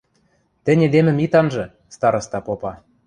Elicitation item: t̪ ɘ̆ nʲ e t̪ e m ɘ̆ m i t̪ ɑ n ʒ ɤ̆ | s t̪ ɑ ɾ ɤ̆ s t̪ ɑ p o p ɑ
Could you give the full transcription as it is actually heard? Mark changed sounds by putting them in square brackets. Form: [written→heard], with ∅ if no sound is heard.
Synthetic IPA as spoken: t̪ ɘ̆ nʲ e [t̪→d̪] e m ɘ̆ m i t̪ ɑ n ʒ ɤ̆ | s t̪ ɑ ɾ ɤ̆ s t̪ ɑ p o p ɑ